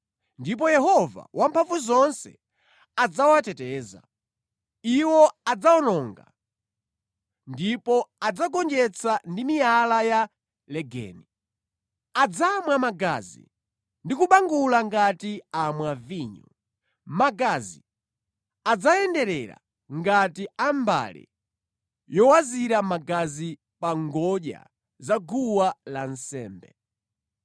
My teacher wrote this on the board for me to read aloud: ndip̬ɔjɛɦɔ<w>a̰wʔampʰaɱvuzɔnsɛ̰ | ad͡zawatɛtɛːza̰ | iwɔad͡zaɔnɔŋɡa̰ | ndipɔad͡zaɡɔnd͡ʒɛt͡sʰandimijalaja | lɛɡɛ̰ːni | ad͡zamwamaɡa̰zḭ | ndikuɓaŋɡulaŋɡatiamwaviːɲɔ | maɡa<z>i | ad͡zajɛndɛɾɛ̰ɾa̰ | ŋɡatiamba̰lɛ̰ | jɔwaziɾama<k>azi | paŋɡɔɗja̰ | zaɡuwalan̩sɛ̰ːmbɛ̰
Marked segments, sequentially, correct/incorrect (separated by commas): incorrect, correct, incorrect